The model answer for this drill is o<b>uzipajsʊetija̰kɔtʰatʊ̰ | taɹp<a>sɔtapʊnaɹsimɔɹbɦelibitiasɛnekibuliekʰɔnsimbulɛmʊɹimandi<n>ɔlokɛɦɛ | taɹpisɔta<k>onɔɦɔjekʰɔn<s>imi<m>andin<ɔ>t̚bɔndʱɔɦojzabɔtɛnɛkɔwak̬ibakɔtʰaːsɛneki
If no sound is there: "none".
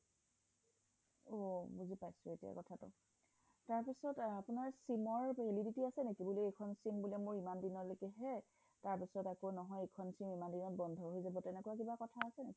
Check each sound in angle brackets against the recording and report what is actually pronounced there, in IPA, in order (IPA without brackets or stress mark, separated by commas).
b, i, n, k, s, m, ɔ